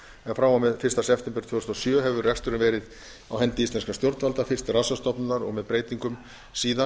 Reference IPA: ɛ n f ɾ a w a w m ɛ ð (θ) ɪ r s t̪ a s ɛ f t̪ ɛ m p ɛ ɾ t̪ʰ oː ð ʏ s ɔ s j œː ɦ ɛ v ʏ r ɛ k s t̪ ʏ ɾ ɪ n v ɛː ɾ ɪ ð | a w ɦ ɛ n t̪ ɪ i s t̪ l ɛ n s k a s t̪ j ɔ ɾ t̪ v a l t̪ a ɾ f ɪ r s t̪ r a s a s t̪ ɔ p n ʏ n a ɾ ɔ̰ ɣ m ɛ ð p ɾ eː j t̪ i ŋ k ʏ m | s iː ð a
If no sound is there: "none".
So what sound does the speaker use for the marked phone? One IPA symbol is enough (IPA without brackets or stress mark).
f